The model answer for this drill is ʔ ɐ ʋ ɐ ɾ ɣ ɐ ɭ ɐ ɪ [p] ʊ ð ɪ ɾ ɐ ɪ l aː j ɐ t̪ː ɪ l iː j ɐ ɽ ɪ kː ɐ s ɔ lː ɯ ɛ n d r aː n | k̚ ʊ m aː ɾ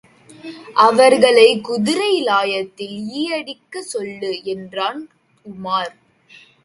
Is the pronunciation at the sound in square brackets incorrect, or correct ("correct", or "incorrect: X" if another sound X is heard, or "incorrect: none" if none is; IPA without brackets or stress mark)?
incorrect: k